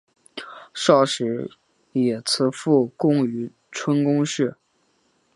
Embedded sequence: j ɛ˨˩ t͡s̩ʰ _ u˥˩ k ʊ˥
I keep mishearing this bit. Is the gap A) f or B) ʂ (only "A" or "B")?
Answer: A